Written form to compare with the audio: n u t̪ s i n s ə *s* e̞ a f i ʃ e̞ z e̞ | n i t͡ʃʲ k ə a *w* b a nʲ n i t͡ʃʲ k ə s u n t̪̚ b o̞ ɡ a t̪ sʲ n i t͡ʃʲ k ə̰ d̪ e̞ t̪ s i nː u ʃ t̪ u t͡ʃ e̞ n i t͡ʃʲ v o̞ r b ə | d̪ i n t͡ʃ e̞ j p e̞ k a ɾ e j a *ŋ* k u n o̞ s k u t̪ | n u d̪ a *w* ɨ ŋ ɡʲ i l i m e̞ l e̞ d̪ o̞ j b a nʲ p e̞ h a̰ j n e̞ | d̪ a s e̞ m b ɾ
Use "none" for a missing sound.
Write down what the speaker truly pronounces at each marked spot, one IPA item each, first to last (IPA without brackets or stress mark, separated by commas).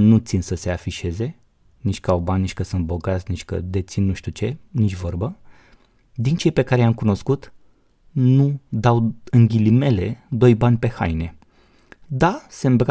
s, w, m, w